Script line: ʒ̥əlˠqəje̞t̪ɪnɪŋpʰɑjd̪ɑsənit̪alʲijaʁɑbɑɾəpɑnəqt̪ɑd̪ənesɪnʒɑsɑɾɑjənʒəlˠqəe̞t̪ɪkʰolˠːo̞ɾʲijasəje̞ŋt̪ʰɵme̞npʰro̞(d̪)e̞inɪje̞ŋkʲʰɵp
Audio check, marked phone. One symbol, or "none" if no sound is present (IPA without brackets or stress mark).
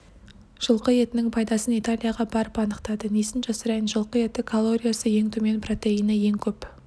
t̪